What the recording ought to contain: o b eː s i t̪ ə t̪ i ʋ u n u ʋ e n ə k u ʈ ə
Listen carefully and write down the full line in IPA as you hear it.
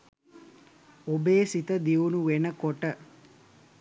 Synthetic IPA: o b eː s i t̪ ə d̪ i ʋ u n u ʋ e n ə k o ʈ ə